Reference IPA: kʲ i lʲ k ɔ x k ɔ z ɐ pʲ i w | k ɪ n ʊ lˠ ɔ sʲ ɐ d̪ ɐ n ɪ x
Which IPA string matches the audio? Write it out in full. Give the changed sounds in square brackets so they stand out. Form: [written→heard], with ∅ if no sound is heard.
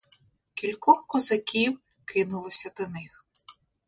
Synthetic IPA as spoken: kʲ i lʲ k ɔ x k ɔ z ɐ [pʲ→kʲ] i w | k ɪ n ʊ lˠ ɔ sʲ ɐ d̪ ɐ n ɪ x